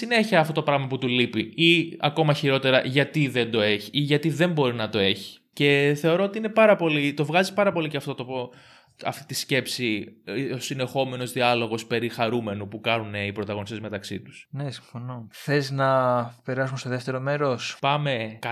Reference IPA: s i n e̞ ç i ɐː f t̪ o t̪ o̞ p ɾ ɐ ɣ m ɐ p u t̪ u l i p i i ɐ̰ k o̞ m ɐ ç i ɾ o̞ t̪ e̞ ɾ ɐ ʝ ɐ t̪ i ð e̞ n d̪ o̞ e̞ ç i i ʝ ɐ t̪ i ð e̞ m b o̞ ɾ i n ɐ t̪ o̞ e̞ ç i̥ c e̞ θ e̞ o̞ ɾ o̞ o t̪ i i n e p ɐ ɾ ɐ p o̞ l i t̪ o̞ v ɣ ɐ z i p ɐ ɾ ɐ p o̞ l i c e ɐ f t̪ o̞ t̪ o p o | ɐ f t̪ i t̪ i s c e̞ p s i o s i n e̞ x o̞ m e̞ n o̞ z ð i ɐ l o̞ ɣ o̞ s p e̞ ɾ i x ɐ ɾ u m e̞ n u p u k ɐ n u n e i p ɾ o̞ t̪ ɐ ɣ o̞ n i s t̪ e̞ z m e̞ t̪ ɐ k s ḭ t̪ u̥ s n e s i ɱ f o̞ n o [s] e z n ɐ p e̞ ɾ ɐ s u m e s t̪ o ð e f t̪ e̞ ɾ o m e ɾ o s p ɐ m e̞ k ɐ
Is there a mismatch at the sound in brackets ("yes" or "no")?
yes